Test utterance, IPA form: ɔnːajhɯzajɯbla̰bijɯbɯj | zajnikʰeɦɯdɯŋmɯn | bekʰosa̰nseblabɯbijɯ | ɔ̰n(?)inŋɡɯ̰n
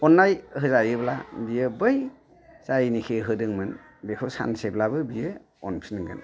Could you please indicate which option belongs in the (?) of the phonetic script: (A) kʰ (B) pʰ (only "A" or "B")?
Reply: B